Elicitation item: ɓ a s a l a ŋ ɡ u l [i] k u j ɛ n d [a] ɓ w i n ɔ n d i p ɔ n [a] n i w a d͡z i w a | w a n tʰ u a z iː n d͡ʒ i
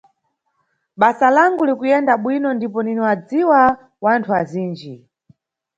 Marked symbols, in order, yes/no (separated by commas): yes, yes, no